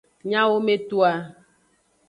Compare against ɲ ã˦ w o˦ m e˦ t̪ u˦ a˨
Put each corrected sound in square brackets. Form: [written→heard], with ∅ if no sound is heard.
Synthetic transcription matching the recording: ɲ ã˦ w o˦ m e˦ t̪ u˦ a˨